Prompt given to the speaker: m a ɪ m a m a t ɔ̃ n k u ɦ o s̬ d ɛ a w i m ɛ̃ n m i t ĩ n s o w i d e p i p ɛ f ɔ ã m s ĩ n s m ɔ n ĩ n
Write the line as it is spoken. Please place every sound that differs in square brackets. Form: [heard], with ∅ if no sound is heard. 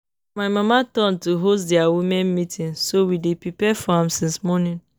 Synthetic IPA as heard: m a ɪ m a m a t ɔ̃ n [t] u ɦ o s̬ d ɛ a w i m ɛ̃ n m i t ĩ n s o w i d e p i p ɛ f ɔ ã m s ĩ n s m ɔ n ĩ n